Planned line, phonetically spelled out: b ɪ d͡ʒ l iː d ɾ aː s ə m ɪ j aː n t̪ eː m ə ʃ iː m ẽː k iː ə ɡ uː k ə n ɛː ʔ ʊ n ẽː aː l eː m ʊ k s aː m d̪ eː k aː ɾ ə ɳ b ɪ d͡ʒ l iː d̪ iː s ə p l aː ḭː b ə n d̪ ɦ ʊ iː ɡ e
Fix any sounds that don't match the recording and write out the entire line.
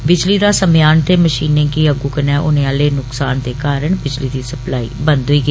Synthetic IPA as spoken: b ɪ d͡ʒ l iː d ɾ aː s ə m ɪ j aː n t̪ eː m ə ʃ iː n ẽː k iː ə ɡ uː k ə n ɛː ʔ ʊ n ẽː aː l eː n ʊ k s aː n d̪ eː k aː ɾ ə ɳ b ɪ d͡ʒ l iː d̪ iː s ə p l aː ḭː b ə n d̪ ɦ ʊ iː ɡ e